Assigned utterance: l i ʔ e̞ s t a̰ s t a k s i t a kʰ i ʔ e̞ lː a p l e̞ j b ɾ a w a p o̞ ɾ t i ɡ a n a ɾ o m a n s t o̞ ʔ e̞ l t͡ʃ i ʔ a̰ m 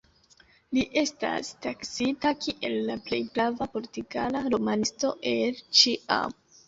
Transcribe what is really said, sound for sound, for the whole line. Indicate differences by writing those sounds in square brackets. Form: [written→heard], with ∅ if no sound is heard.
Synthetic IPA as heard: l i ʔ e̞ s t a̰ s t a k s i t a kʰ i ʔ e̞ lː a p l e̞ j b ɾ a [w→v] a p o̞ ɾ t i ɡ a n a ɾ o m a n s t o̞ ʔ e̞ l t͡ʃ i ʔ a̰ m